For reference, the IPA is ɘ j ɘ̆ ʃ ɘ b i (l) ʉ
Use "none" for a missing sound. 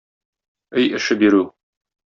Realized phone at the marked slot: ɾ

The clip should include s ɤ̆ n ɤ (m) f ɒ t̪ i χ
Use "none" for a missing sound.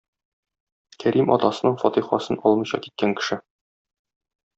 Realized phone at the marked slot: ɴ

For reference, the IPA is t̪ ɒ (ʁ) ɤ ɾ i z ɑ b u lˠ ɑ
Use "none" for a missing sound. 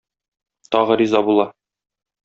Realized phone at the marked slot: ʁ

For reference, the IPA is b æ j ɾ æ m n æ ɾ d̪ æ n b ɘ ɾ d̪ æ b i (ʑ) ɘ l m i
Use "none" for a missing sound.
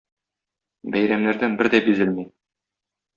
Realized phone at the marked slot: z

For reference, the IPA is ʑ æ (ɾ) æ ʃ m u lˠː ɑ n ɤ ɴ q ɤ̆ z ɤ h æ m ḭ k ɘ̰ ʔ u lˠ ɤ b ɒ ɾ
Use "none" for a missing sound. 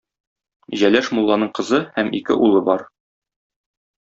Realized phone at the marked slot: l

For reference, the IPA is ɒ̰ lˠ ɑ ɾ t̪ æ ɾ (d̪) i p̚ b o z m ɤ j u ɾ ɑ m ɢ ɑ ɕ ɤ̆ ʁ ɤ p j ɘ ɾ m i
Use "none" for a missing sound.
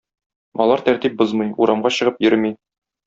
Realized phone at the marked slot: t̪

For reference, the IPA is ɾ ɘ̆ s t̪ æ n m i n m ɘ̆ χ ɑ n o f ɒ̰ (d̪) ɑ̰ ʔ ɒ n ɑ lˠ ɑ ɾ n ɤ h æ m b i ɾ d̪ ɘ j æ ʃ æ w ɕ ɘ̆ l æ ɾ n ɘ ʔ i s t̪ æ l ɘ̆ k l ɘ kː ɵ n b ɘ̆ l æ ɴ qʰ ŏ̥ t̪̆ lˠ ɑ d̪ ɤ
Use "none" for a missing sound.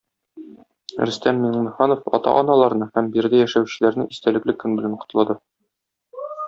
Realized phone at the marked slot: t̪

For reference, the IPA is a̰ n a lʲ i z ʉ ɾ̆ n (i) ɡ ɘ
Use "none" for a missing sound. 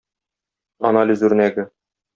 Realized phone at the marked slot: æ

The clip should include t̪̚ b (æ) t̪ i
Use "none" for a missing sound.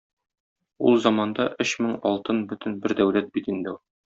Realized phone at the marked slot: i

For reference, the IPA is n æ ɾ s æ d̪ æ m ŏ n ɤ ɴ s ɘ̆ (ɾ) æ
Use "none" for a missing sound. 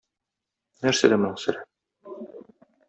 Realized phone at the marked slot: ɾ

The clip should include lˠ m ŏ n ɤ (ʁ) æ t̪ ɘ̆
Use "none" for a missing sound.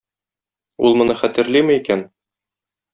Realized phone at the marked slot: χ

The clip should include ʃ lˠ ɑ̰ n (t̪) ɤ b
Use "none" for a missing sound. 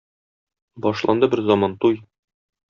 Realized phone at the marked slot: d̪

